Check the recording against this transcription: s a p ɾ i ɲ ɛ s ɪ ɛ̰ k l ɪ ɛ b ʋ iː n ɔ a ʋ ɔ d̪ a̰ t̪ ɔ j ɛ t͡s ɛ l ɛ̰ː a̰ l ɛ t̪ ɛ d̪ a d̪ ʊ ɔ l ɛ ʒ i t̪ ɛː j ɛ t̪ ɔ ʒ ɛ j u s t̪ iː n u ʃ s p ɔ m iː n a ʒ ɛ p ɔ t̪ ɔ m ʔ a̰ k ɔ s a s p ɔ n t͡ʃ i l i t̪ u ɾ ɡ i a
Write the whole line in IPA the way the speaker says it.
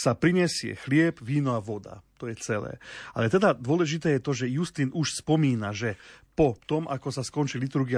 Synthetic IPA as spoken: s a p ɾ i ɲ ɛ s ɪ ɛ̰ x l ɪ ɛ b ʋ iː n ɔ a ʋ ɔ d̪ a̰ t̪ ɔ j ɛ t͡s ɛ l ɛ̰ː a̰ l ɛ t̪ ɛ d̪ a d̪ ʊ ɔ l ɛ ʒ i t̪ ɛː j ɛ t̪ ɔ ʒ ɛ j u s t̪ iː n u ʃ s p ɔ m iː n a ʒ ɛ p ɔ t̪ ɔ m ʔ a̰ k ɔ s a s k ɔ n t͡ʃ i l i t̪ u ɾ ɡ i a